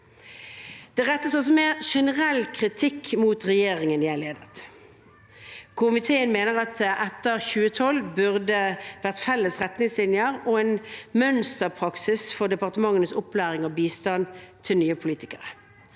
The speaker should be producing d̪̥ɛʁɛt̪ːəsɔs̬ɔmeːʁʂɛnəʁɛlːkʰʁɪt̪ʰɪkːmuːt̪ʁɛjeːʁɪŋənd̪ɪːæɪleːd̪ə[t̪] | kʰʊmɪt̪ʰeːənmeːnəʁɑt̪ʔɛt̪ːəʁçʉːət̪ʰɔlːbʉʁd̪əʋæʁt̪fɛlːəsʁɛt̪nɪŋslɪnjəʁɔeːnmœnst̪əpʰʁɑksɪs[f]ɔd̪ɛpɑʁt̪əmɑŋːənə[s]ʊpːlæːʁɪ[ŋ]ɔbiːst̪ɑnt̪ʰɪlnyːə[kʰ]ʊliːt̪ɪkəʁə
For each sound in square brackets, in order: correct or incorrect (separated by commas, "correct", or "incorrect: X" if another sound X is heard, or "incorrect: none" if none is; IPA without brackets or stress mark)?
correct, correct, correct, correct, incorrect: pʰ